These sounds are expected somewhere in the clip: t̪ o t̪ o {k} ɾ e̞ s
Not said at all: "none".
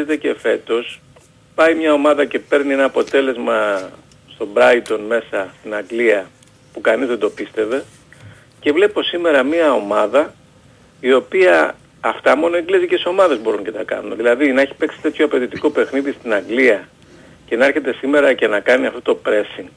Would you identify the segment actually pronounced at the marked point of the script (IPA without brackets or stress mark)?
p